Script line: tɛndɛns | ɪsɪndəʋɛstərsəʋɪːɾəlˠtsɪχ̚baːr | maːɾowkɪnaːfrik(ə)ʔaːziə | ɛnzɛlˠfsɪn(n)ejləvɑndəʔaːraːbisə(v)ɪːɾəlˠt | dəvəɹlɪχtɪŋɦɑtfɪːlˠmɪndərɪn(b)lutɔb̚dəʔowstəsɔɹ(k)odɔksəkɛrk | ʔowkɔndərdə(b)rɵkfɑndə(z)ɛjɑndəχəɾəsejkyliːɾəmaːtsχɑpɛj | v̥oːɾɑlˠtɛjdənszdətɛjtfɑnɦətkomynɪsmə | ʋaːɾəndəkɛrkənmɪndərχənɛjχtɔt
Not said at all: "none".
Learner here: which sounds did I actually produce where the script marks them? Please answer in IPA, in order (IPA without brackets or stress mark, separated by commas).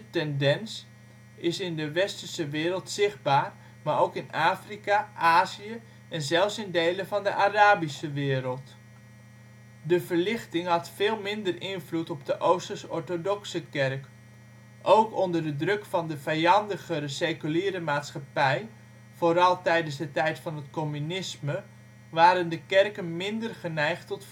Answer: a, d, ʋ, v, t, d, v